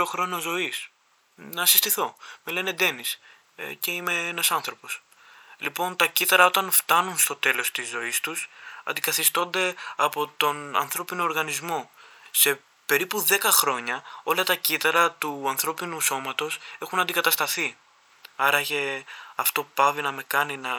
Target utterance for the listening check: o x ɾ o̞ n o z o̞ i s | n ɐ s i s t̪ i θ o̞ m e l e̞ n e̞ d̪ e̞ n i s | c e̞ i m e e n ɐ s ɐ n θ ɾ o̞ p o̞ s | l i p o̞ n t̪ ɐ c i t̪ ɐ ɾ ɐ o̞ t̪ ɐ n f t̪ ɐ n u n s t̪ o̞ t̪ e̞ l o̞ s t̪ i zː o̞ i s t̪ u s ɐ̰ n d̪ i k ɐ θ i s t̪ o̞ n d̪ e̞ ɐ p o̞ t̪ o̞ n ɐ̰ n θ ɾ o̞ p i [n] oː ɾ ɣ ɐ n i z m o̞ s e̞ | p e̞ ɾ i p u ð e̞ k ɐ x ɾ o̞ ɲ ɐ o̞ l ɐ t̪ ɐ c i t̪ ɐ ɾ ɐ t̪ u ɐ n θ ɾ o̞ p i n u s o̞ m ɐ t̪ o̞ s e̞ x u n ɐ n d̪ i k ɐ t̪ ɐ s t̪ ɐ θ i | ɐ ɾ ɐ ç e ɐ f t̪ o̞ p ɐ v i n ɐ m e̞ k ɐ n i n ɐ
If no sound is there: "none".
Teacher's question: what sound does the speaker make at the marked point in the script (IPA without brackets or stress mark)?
n